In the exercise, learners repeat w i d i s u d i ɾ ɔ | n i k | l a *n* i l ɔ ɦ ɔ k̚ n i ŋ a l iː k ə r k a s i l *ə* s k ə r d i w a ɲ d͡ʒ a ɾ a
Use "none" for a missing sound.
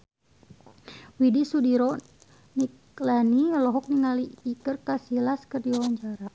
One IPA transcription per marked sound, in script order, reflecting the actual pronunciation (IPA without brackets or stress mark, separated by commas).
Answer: n, a